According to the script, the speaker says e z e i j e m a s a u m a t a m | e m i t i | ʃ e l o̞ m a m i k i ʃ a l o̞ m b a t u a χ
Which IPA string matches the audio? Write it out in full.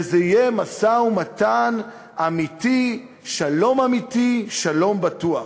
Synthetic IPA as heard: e z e i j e m a s a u m a t a n | a m i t i | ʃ a l o̞ m a m i t i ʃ a l o̞ m b a t u a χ